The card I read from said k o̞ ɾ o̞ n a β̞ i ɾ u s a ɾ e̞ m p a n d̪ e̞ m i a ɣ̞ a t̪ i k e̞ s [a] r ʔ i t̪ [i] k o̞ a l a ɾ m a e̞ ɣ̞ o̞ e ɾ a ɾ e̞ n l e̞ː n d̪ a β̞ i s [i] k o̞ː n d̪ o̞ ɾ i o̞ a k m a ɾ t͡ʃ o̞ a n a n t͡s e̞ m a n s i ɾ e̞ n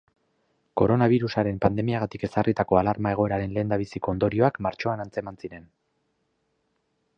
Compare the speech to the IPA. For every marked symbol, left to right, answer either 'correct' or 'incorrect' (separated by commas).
correct, incorrect, correct